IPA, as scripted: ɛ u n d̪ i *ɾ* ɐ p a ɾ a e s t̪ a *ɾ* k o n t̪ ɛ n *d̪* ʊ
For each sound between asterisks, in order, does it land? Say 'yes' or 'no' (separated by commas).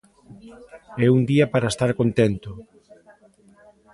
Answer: no, yes, no